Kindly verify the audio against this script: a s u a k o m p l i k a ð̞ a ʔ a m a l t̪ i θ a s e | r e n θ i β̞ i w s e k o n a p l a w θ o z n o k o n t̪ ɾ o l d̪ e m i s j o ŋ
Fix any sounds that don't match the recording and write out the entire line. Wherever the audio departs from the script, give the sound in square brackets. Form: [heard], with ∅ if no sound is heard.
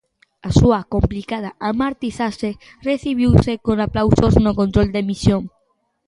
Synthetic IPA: a s u a k o m p l i k a ð̞ a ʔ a m a [ɾ] t̪ i θ a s e | r e [∅] θ i β̞ i w s e k o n a p l a w [s] o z n o k o n t̪ ɾ o l d̪ e m i s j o ŋ